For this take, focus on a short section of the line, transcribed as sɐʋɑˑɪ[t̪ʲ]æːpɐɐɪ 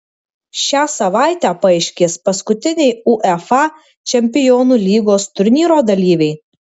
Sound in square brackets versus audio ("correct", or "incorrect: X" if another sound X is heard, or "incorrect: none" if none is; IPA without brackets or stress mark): correct